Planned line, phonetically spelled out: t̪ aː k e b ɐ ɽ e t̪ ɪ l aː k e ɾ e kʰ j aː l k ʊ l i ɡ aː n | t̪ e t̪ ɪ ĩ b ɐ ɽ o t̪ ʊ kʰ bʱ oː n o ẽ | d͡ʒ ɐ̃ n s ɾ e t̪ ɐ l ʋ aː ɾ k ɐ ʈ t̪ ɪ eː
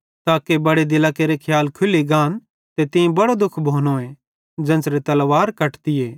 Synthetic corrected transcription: t̪ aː k e b ɐ ɽ e d̪ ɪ l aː k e ɾ e kʰ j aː l kʰ ʊ l i ɡ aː n | t̪ e t̪ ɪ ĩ b ɐ ɽ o d̪ ʊ kʰ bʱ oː n o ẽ | d͡ʒ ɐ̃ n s ɾ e t̪ ɐ l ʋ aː ɾ k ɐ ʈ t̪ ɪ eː